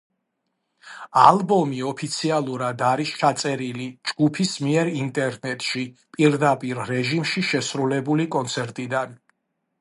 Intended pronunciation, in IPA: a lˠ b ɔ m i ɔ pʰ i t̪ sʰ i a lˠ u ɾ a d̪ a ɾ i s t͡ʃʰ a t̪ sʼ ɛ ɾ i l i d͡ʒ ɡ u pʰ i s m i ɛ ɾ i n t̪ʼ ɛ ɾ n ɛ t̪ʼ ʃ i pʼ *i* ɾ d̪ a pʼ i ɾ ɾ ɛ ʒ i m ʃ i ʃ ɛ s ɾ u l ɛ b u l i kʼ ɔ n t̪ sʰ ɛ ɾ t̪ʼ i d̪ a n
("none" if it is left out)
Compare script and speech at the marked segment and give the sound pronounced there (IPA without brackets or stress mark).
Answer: i